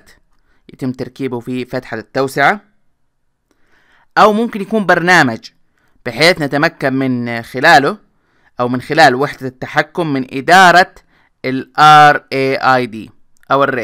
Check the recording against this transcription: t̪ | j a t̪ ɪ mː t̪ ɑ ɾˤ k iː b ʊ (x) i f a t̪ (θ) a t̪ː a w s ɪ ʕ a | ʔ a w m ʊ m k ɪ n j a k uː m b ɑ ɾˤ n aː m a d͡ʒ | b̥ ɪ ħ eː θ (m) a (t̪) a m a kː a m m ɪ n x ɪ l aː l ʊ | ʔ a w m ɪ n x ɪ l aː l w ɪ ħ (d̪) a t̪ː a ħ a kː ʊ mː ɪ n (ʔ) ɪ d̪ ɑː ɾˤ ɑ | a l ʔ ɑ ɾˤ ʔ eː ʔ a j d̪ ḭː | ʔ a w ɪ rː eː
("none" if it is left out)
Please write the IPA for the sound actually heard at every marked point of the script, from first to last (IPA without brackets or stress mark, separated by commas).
f, ħ, n, t̪, d̪, ʔ